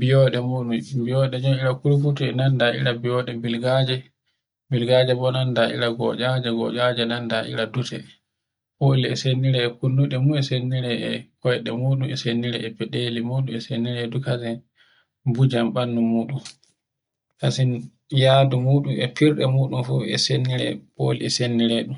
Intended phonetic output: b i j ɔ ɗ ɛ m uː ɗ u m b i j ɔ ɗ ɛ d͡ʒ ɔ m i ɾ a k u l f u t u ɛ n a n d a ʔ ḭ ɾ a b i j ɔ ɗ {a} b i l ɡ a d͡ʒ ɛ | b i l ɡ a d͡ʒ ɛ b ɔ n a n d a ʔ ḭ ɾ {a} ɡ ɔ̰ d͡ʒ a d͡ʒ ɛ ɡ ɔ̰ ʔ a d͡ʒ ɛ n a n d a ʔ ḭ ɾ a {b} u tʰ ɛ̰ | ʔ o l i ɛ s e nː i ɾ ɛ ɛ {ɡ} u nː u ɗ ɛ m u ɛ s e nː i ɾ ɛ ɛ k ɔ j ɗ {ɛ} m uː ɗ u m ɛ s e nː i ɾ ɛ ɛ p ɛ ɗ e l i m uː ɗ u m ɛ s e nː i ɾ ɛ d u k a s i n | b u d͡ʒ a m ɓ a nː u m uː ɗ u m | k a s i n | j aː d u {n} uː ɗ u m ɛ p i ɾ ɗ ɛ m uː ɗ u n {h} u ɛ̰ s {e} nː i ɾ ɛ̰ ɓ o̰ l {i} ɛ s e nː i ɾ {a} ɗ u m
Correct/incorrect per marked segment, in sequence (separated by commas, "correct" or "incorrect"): incorrect, correct, incorrect, incorrect, correct, incorrect, incorrect, correct, correct, incorrect